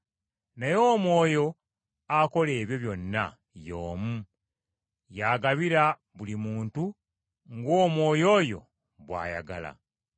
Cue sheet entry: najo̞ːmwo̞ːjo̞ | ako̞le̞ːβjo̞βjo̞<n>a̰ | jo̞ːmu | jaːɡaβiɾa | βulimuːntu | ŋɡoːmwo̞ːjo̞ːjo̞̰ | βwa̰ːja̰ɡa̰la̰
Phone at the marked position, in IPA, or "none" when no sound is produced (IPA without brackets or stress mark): nː